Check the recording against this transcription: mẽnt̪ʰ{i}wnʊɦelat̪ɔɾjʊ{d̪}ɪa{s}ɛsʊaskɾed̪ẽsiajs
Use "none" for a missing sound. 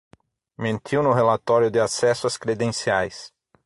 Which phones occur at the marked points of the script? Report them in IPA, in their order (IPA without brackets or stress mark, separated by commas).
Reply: i, d̪, s